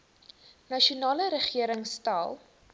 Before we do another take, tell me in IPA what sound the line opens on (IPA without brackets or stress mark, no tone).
n